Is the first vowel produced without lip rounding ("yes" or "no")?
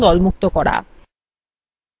no